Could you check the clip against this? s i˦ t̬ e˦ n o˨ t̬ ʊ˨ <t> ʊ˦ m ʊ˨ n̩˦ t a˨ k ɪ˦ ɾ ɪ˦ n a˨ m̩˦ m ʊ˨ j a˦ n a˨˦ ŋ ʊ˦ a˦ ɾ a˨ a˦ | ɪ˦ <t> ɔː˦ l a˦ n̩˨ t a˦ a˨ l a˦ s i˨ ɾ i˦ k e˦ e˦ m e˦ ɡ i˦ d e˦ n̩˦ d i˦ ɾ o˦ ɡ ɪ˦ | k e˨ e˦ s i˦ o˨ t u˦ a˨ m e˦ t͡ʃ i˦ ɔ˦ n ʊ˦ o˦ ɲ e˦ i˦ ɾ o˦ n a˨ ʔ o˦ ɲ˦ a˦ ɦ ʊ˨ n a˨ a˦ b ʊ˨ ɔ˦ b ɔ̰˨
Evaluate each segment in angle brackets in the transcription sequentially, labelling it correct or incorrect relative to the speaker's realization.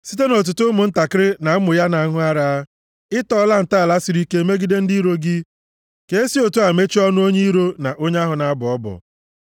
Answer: correct, correct

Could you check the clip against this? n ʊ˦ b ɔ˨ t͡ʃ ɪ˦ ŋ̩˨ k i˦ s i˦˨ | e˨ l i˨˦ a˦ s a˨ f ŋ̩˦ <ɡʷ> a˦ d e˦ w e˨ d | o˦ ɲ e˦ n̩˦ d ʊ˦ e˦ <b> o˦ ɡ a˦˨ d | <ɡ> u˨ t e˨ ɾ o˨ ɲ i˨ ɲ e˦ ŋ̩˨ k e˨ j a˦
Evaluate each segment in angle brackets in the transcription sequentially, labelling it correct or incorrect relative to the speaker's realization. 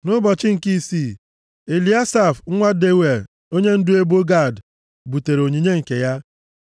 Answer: incorrect, correct, incorrect

